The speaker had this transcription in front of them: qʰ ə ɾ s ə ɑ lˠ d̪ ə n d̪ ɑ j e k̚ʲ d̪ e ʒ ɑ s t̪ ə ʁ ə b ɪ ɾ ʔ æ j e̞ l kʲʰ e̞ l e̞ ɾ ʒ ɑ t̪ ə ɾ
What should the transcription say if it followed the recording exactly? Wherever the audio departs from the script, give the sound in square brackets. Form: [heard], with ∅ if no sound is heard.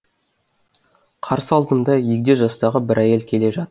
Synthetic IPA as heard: qʰ [ɑ] ɾ s ə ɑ lˠ d̪ ə n d̪ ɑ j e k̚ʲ d̪ e ʒ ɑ s t̪ [ɑ] ʁ ə b ɪ ɾ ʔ æ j e̞ l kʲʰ e̞ l e̞ [∅] ʒ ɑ t̪ ə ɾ